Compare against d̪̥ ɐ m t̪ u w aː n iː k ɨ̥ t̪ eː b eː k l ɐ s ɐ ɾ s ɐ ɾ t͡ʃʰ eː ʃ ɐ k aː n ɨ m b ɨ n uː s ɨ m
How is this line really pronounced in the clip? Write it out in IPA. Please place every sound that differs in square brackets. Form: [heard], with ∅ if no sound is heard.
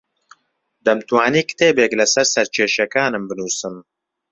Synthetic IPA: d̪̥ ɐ m t̪ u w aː n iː k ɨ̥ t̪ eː b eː k l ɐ s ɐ ɾ s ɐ ɾ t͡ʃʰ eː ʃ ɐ k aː n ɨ m b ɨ n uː s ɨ m